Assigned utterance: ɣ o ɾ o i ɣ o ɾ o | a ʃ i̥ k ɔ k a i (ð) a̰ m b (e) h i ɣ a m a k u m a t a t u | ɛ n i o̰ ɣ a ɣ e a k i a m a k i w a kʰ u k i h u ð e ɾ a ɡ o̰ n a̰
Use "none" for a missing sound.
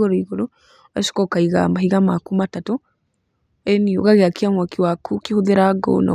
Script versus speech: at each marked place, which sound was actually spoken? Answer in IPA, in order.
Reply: ɣ, a

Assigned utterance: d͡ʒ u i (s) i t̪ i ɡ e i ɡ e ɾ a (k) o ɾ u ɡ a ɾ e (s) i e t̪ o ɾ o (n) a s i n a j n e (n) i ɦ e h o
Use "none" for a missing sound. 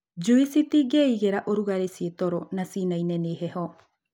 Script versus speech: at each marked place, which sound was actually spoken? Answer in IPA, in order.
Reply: s, ʔ, s, n, n

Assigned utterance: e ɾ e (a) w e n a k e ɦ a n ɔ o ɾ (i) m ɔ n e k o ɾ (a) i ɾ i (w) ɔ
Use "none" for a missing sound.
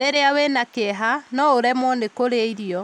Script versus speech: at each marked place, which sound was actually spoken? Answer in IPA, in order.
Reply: a, ɛ, e, none

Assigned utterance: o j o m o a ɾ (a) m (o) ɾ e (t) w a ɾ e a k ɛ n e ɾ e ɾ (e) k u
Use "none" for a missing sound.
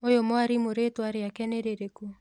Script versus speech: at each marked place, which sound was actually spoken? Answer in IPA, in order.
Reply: i, o, t, e

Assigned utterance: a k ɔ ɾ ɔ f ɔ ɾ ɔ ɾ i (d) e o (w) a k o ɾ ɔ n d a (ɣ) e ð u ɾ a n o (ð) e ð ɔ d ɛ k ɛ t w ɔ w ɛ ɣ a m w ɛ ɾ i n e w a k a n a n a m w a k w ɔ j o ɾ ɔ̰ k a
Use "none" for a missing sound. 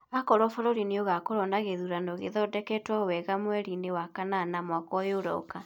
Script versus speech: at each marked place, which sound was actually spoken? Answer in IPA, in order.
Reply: n, ɣ, ɣ, ɣ

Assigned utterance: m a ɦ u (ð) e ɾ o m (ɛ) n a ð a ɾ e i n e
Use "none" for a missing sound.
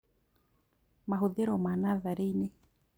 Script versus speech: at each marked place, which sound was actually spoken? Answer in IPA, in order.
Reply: ð, a

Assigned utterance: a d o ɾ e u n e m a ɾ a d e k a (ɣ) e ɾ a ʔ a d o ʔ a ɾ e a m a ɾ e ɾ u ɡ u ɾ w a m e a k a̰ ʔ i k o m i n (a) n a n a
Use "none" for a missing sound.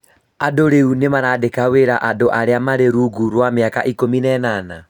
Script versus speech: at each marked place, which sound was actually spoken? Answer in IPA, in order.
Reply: w, ɛ

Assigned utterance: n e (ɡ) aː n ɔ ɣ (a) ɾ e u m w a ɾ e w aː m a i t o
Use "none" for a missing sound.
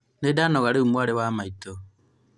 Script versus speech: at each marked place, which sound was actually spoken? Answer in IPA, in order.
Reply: d, a

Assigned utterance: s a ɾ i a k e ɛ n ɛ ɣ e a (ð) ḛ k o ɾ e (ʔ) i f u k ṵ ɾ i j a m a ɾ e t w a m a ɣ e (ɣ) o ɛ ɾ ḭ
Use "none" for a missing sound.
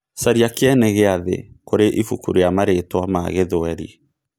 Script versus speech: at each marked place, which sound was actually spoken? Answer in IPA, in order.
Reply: ð, ʔ, ð

